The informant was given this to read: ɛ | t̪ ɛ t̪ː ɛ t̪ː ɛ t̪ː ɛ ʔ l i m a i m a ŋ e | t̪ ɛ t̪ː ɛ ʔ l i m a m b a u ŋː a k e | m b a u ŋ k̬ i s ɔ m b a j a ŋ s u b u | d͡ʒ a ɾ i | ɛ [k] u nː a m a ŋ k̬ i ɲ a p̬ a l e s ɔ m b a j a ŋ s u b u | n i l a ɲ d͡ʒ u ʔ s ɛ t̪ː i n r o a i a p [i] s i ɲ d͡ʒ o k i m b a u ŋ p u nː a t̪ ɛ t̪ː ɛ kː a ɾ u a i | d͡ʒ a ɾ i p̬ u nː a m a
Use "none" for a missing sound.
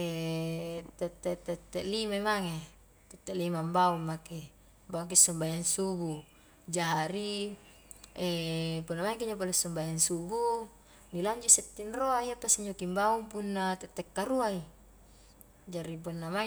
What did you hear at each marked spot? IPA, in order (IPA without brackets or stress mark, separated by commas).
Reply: p, a